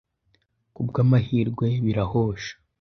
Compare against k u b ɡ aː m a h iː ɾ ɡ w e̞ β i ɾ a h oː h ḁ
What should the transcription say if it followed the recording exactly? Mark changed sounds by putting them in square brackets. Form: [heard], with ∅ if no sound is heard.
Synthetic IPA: k u b ɡ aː m a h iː ɾ ɡ w e̞ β i ɾ a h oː [ʃ] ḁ